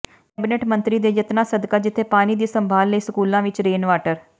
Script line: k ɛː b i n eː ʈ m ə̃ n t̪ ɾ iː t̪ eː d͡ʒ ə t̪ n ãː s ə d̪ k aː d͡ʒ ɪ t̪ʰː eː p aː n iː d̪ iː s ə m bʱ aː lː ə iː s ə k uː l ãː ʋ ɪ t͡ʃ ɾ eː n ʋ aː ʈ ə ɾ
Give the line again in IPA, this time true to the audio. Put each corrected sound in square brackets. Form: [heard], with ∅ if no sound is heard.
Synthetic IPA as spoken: k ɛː b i n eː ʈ m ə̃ n t̪ ɾ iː [d̪] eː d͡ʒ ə t̪ n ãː s ə d̪ k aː d͡ʒ ɪ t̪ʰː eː p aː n iː d̪ iː s ə m bʱ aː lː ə iː s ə k uː l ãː ʋ ɪ t͡ʃ ɾ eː n ʋ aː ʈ ə ɾ